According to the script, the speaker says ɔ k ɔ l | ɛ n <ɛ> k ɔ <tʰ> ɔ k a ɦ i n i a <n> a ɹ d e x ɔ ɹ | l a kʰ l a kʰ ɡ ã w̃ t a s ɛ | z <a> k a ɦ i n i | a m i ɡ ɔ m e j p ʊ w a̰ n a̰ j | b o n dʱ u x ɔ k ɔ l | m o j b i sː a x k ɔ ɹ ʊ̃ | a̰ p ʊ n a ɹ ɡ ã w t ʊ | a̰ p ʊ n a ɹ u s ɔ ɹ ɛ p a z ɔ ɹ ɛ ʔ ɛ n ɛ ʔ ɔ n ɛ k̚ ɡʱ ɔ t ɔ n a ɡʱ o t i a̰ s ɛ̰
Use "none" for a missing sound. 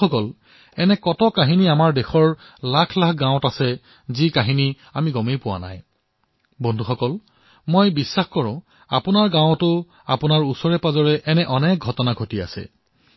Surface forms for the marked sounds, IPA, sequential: ɛ, t, m, i

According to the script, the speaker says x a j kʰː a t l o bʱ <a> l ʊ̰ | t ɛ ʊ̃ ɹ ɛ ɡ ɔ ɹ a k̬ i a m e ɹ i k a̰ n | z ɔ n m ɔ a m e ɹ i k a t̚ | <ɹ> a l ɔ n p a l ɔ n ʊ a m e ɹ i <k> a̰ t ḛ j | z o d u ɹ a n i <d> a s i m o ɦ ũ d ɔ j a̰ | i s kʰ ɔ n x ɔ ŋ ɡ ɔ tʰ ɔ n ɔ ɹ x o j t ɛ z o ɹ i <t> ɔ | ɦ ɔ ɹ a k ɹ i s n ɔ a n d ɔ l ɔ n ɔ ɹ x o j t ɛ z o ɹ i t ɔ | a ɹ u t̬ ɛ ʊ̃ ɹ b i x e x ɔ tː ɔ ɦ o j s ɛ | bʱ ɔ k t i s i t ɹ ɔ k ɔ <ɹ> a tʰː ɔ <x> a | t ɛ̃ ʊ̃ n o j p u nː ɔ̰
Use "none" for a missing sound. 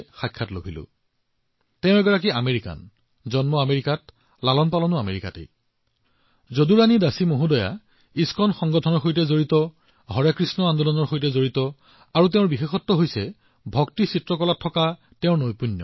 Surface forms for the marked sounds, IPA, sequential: i, l, k, d, t, l, k

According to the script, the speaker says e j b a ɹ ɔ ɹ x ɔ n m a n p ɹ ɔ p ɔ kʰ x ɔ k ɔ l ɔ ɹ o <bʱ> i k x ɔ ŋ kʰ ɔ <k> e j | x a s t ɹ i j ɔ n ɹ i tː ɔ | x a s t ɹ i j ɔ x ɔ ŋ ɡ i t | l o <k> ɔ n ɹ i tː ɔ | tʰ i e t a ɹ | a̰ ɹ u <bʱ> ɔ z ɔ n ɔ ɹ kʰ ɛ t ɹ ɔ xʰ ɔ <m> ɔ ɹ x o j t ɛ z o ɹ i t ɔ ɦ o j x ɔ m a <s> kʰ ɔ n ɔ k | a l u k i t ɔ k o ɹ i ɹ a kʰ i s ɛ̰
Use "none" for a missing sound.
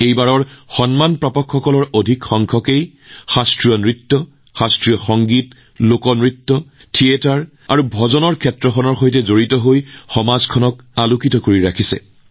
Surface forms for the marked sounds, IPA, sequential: dʱ, k, k, bʱ, n, z

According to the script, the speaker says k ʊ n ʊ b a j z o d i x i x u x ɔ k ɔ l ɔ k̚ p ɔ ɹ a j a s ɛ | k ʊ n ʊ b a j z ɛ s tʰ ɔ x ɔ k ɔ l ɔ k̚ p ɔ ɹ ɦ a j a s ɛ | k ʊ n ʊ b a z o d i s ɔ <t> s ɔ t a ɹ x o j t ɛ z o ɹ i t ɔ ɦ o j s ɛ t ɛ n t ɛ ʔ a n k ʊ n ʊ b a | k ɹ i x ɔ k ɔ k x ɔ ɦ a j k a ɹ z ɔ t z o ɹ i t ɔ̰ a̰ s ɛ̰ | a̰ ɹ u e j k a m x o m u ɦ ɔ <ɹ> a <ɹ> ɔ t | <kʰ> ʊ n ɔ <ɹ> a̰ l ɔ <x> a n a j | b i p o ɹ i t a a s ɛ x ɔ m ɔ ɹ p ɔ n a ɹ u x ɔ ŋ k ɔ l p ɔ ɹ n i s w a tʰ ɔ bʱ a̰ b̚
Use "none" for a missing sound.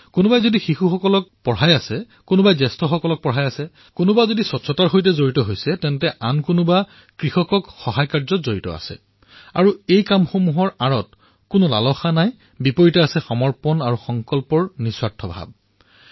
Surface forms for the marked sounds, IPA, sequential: t, ɹ, ɹ, k, l, x

